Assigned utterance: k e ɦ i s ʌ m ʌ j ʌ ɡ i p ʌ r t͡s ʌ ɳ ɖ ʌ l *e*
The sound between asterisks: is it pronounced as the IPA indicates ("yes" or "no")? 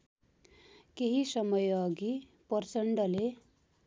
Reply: yes